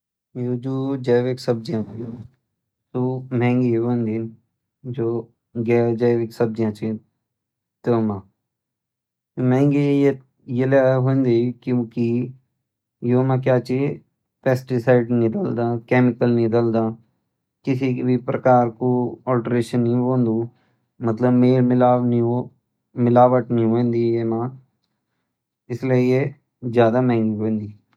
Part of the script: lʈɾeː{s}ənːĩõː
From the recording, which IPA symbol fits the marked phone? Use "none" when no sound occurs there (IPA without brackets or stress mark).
ʃ